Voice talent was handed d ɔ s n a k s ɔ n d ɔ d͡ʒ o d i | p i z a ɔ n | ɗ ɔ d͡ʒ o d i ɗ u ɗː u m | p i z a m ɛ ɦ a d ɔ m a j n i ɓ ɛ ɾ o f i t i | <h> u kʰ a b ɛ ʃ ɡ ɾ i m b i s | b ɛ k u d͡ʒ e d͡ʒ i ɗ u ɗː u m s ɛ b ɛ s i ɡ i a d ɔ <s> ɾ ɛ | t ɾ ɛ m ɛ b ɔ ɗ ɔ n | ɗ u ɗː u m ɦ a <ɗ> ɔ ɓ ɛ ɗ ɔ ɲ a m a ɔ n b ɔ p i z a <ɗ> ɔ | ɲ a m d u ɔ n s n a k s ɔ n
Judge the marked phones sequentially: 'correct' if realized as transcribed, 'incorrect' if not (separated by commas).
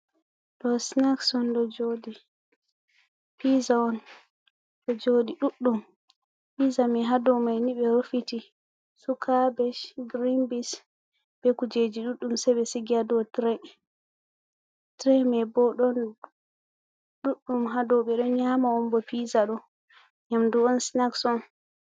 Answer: incorrect, incorrect, incorrect, correct